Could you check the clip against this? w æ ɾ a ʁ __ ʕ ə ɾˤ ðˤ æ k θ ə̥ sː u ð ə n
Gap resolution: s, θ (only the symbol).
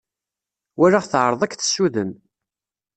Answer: θ